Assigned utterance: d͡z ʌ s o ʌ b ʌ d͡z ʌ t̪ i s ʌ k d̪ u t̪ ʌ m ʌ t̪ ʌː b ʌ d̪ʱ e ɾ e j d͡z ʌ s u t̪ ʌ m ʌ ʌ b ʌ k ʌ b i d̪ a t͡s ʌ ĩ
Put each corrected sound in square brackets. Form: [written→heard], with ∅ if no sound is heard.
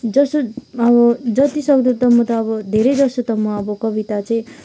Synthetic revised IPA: d͡z ʌ s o ʌ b ʌ d͡z ʌ t̪ i s ʌ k d̪ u t̪ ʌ m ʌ t̪ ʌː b ʌ d̪ʱ e ɾ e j d͡z ʌ s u t̪ ʌ m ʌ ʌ b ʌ k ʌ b i [d̪→t̪] a t͡s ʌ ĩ